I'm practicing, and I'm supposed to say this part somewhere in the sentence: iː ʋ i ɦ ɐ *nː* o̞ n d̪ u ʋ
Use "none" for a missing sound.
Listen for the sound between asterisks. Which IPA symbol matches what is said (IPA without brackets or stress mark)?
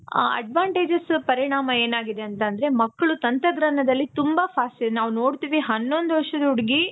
nː